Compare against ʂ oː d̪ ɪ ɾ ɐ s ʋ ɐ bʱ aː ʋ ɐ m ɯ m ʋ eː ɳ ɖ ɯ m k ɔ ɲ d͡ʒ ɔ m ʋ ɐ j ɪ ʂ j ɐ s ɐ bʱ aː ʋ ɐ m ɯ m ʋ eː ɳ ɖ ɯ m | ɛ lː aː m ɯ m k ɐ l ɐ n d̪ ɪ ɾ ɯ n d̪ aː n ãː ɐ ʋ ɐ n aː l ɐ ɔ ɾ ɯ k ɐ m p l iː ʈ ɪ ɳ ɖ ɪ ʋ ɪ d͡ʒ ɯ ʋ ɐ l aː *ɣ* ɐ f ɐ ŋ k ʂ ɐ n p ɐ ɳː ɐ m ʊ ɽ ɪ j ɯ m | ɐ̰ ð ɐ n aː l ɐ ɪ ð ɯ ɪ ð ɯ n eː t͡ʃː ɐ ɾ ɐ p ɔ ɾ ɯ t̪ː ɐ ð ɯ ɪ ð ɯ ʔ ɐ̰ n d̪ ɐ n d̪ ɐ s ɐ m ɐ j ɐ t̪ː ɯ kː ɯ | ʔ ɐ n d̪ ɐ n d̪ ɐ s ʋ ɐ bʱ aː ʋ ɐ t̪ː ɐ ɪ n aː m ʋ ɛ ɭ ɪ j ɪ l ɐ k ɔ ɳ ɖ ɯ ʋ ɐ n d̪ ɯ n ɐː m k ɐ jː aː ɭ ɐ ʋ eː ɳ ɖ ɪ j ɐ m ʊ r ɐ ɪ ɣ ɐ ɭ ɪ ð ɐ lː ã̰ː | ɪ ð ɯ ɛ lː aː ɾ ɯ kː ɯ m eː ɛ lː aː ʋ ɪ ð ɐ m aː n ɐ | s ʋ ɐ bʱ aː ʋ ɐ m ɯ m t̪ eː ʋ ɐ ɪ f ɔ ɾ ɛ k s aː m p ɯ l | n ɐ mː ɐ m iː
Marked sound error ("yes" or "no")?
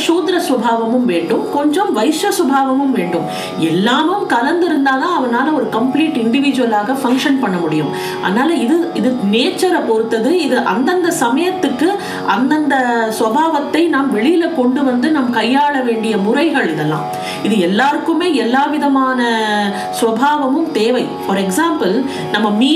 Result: no